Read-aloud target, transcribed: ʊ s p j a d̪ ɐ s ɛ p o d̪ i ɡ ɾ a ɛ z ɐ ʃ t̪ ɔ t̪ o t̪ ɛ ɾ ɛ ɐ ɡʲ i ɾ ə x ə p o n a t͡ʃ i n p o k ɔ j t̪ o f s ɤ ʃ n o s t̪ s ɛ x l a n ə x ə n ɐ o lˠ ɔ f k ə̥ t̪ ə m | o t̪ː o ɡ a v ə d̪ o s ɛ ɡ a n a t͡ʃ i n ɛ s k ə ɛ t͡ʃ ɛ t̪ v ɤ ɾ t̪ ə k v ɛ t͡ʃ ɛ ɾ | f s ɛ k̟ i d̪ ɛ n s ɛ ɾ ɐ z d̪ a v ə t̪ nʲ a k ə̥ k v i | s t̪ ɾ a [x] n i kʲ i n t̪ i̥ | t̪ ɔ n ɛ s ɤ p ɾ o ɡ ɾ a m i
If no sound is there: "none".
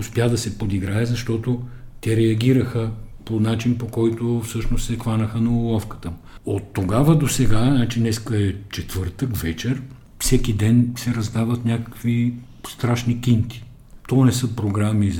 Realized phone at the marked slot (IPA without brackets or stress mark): ʃ